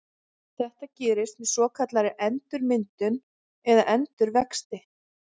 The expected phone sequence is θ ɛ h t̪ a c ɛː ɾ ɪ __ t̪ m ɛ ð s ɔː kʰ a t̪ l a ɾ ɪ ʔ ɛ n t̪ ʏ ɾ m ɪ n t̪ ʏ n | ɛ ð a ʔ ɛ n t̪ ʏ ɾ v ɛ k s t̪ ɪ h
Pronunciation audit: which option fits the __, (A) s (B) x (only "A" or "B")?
A